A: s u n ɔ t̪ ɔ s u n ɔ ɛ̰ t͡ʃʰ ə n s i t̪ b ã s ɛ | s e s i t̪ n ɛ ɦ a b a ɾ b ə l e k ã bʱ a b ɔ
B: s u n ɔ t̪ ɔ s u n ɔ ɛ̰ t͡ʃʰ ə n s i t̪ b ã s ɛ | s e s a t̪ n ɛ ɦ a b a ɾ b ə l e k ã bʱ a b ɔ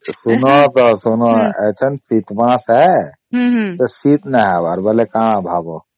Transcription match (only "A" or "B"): A